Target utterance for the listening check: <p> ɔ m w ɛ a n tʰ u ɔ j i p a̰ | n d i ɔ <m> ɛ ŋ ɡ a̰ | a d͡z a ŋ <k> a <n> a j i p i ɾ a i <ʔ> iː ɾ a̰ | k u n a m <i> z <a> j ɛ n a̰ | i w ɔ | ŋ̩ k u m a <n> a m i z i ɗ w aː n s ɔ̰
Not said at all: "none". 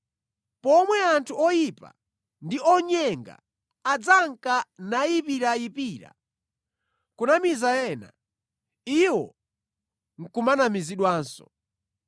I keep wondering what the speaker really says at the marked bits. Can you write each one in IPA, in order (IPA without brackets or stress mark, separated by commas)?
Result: p, ɲ, k, n, p, i, a, n